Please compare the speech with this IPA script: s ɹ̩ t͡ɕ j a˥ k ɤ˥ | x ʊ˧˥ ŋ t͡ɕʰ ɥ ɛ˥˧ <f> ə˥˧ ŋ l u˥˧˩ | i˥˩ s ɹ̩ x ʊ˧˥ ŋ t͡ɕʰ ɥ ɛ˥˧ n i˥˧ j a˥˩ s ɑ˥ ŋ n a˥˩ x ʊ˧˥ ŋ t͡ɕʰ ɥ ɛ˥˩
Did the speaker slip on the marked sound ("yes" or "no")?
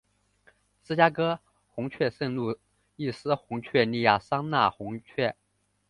yes